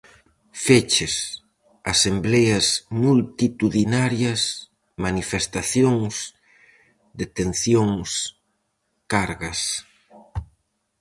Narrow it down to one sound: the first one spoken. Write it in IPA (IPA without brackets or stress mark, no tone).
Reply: f